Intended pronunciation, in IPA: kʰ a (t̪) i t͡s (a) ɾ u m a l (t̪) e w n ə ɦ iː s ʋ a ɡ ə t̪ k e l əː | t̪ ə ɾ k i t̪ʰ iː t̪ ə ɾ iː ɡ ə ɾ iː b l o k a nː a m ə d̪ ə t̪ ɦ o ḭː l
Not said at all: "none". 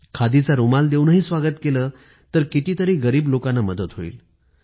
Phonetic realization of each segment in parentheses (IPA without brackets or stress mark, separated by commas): d̪, a, d̪